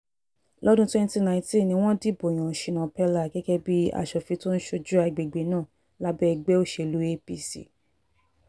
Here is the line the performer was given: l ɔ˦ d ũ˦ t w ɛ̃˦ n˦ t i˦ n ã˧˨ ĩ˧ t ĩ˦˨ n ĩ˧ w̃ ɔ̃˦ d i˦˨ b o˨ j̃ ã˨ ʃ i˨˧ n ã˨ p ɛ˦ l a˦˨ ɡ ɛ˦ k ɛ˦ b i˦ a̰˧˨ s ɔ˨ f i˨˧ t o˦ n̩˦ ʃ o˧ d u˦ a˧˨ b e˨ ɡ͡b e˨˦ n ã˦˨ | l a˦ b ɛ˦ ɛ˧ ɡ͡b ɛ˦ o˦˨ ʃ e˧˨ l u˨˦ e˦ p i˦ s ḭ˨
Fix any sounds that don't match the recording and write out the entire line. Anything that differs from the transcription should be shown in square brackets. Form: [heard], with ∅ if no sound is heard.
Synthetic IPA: l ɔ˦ d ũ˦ t w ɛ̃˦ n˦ t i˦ n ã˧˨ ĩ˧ t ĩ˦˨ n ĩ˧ w̃ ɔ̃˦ d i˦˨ b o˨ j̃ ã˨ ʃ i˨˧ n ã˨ p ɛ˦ l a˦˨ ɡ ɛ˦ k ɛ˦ b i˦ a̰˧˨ [ʃ] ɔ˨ f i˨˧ t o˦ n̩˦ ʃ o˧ [d͡ʒ] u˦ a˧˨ [ɡ͡b] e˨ ɡ͡b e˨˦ n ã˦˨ | l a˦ b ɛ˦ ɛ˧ ɡ͡b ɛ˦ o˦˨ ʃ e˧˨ l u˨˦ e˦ p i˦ s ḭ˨